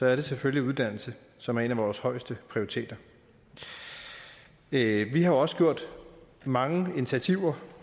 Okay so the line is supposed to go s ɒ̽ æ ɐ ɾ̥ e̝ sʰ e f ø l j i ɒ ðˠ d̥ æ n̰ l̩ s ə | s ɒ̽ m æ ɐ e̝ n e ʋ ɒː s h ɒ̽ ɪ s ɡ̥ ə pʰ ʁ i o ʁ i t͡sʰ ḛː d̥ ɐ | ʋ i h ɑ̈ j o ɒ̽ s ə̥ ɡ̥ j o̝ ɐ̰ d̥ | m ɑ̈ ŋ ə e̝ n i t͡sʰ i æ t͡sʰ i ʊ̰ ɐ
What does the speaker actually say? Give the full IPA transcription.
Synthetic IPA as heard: s ɒ̽ æ ɐ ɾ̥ e̝ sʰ e f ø l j i u ðˠ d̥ æ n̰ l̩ s ə | s ɒ̽ m æ ɐ e̝ n æ ʋ ɒː s h ɒ̽ ɪ s d̥ ə pʰ ʁ i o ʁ i t͡sʰ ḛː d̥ ɐ | ʋ i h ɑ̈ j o ɒ̽ s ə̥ ɡ̥ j o̝ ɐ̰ d̥ | m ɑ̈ ŋ ə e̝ n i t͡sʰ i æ t͡sʰ i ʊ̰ ɐ